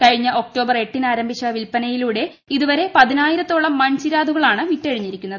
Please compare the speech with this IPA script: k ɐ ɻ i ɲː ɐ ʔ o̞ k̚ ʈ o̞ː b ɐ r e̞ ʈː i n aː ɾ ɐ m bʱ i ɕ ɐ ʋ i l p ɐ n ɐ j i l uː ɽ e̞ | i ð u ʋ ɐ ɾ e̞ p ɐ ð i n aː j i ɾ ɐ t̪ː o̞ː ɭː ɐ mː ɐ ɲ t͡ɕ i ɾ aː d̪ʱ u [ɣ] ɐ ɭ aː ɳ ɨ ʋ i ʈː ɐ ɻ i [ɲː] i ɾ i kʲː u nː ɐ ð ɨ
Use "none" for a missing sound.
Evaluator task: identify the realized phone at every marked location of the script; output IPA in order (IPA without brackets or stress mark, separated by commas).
ɣ, ɲː